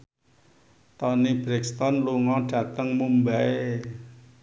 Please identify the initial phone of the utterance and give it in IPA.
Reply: t̪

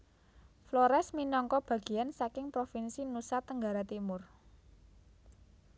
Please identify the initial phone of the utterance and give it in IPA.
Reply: f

